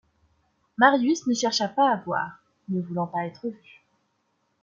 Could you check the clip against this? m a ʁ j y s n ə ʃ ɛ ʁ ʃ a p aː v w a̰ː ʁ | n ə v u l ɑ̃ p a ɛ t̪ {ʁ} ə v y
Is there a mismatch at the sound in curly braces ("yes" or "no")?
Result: yes